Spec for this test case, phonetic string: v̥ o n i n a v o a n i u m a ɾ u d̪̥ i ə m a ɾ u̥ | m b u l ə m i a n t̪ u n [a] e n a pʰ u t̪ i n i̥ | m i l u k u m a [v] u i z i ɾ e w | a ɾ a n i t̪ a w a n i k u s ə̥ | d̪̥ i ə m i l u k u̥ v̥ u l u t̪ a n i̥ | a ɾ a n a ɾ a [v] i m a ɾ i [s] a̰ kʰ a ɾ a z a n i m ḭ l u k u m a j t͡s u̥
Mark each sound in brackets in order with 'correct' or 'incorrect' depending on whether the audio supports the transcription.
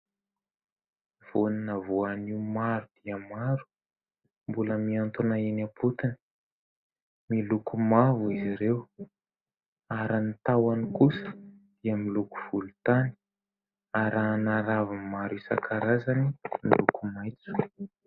correct, correct, correct, correct

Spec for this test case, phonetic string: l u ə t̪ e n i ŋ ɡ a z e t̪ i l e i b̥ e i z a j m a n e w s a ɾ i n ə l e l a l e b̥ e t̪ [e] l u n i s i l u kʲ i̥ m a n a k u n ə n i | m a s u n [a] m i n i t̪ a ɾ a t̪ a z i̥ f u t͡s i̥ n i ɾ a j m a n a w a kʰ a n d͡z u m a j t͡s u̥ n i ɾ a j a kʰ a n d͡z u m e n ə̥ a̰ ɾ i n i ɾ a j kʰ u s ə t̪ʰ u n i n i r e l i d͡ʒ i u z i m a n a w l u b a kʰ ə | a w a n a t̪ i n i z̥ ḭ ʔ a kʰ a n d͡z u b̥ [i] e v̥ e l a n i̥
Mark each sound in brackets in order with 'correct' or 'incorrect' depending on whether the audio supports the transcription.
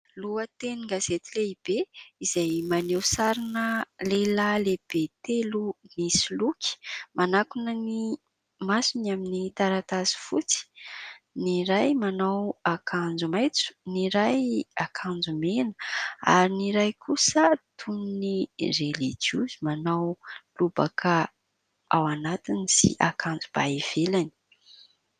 correct, correct, incorrect: a

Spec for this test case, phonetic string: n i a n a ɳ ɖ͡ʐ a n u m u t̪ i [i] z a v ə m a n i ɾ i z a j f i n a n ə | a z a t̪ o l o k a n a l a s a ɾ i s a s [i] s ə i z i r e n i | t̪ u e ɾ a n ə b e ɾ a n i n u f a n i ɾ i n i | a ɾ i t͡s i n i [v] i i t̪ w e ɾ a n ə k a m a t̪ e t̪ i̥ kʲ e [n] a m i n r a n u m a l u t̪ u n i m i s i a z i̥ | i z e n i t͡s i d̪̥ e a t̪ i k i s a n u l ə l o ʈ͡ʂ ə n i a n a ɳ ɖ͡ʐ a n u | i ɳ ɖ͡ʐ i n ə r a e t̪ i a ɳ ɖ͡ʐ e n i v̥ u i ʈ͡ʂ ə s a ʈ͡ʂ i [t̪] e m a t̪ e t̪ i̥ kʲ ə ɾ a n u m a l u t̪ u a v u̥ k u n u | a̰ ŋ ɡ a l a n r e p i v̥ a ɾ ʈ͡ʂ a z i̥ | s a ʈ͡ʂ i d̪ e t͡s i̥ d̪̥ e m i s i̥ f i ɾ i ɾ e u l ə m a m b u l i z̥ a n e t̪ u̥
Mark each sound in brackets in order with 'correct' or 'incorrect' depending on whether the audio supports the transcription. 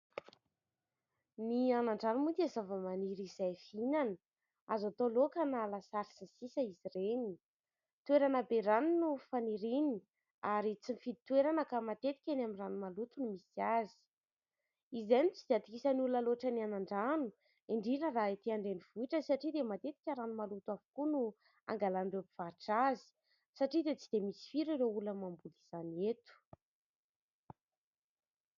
incorrect: a, correct, incorrect: f, correct, incorrect: d̪

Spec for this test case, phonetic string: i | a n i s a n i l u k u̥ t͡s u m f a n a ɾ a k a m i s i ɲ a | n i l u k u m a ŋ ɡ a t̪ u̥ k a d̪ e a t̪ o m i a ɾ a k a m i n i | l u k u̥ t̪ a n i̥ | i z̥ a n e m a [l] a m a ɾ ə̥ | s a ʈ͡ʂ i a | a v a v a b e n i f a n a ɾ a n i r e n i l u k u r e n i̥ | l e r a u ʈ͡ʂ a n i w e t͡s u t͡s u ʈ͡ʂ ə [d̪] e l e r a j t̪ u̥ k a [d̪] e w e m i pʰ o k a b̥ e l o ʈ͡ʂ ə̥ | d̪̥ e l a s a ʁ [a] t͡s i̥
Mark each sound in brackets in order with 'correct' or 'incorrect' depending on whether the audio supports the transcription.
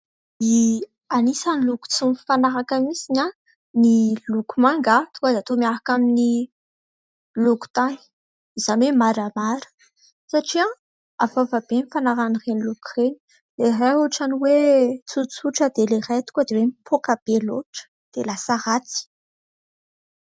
incorrect: ɾ, correct, correct, correct

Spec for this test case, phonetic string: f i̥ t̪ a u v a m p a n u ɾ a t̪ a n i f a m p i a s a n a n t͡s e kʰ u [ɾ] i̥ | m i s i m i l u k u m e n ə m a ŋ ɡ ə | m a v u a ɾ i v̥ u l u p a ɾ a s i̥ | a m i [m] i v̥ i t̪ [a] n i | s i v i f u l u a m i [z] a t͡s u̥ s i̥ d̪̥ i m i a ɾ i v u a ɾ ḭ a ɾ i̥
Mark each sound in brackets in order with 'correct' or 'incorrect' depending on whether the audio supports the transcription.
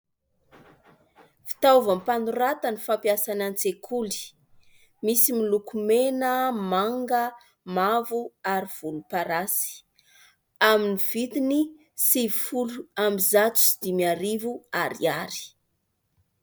incorrect: l, incorrect: n, incorrect: i, correct

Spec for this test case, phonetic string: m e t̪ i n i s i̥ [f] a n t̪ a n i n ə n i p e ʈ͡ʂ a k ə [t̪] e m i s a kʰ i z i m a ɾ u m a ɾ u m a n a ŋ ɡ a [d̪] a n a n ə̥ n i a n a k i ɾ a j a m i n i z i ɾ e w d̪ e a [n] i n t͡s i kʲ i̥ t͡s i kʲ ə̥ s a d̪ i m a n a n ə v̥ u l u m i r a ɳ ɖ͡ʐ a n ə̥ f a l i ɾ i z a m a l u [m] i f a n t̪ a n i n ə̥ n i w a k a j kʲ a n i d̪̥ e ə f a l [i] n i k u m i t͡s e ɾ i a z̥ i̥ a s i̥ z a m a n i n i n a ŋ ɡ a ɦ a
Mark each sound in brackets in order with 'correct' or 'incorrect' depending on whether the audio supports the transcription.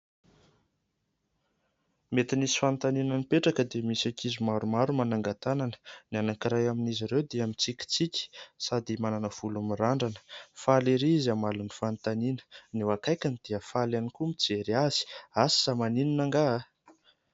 correct, incorrect: d̪, incorrect: t̪, incorrect: m, incorrect: n, incorrect: a

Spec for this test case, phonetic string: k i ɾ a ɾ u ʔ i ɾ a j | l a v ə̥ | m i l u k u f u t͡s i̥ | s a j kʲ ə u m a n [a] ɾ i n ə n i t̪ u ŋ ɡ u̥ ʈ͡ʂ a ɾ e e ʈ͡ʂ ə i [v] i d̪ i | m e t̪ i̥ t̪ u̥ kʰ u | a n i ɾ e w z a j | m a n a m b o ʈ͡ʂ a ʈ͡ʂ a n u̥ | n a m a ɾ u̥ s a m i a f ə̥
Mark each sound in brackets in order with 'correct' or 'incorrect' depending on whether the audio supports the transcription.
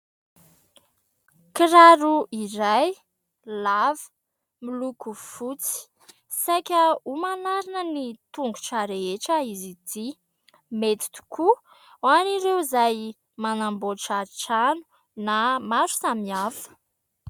correct, incorrect: z

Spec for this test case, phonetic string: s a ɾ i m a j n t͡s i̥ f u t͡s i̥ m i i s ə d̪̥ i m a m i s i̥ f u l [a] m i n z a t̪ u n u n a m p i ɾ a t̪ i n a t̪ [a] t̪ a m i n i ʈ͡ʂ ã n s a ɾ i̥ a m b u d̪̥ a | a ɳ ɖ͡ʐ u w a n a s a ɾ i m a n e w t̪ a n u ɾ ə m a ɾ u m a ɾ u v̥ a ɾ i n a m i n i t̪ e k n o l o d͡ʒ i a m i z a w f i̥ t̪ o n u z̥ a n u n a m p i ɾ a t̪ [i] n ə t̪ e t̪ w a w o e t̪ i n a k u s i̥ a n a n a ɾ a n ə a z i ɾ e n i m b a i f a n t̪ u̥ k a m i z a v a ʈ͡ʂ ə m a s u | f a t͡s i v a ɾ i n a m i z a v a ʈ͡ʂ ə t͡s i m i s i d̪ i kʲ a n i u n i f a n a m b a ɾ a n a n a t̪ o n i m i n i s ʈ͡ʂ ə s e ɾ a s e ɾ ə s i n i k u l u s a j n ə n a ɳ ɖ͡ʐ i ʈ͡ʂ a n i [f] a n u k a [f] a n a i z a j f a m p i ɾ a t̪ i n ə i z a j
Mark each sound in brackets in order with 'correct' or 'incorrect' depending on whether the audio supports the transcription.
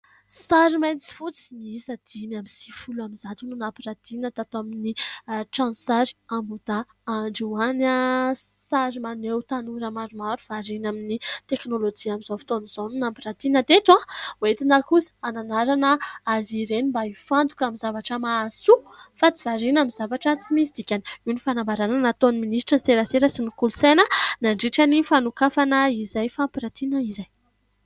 correct, correct, correct, correct, correct

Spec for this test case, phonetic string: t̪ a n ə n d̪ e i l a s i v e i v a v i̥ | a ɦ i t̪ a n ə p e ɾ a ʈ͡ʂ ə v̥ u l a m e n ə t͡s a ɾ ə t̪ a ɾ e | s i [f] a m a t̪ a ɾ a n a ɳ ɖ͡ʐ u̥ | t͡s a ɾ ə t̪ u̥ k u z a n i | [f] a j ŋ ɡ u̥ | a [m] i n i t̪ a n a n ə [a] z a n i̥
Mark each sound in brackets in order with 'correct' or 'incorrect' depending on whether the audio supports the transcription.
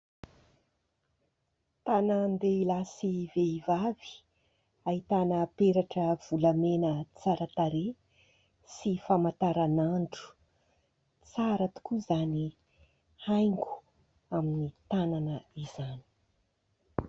correct, incorrect: h, correct, incorrect: i

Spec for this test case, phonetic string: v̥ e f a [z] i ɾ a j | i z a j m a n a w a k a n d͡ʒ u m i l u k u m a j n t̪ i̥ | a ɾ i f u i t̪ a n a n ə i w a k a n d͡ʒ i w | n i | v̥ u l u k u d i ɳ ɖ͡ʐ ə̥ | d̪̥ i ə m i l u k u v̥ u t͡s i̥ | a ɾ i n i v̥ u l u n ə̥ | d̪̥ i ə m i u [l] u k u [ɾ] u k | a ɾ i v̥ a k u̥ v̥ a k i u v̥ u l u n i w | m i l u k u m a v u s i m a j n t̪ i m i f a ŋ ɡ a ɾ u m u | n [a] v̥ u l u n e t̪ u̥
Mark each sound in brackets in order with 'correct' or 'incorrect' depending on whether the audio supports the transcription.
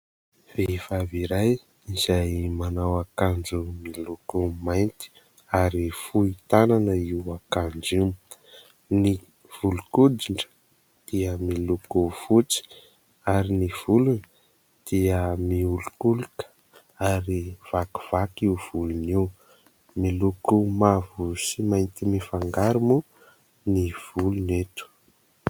incorrect: v, correct, incorrect: l, incorrect: i

